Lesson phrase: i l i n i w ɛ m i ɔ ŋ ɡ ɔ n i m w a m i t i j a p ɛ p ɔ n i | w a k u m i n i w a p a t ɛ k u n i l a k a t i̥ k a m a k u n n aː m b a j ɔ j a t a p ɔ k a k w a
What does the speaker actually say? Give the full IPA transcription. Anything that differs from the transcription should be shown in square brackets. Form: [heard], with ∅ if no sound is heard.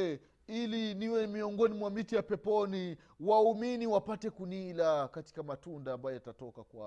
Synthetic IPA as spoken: i l i n i w ɛ m i ɔ ŋ ɡ ɔ n i m w a m i t i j a p ɛ p ɔ n i | w a [∅] u m i n i w a p a t ɛ k u n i l a k a t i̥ k a m a [t] u n [d] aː m b a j ɔ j a t a [t] ɔ k a k w a